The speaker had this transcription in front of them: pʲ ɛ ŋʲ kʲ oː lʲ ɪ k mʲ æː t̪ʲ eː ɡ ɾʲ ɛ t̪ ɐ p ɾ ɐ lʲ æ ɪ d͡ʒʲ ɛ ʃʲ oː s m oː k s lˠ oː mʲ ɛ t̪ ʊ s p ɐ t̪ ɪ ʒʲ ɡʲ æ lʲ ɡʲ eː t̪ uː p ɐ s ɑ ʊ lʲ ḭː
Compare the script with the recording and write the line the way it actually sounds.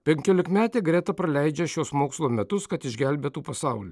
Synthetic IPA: pʲ ɛ ŋʲ kʲ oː lʲ ɪ k mʲ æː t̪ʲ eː ɡ ɾʲ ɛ t̪ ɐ p ɾ ɐ lʲ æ ɪ d͡ʒʲ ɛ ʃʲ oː s m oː k s lˠ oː mʲ ɛ t̪ ʊ s k ɐ t̪ ɪ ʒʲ ɡʲ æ lʲ bʲ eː t̪ uː p ɐ s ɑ ʊ lʲ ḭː